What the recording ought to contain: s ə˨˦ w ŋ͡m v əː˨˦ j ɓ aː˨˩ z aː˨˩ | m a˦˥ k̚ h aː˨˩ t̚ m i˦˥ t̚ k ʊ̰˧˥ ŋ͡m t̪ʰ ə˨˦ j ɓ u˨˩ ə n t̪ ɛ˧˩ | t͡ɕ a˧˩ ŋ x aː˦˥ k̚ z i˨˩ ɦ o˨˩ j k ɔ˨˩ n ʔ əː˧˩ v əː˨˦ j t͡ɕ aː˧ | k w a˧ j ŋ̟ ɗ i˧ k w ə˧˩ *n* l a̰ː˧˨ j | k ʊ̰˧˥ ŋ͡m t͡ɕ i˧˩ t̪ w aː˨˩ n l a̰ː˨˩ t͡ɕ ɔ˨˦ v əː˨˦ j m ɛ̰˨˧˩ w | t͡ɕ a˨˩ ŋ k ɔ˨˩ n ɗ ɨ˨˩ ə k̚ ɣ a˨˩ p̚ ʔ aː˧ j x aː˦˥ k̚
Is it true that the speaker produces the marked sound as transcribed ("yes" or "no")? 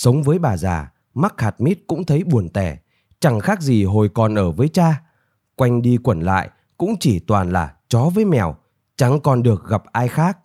yes